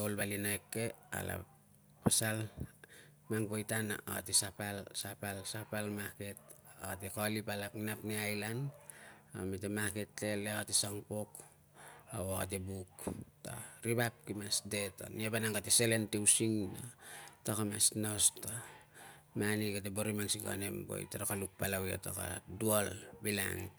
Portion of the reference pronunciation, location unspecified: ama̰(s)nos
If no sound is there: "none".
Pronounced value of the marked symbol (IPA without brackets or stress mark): s